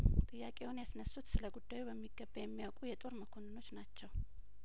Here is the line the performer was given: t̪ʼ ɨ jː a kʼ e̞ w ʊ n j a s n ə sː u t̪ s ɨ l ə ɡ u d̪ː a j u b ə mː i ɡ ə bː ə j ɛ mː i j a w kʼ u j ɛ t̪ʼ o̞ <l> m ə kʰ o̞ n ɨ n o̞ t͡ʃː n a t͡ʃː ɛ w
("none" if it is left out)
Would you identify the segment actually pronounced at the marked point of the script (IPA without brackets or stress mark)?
ɾ